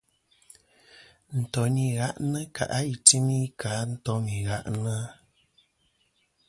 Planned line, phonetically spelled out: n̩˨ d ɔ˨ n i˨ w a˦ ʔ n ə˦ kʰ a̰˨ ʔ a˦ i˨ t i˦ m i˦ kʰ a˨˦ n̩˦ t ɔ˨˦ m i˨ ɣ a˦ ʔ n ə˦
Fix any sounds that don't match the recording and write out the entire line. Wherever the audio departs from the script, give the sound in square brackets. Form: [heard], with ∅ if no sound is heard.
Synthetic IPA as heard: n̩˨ [t] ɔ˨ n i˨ [ɣ] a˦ ʔ n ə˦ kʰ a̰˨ ʔ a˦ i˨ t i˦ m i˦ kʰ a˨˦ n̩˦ t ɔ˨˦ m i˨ ɣ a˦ ʔ n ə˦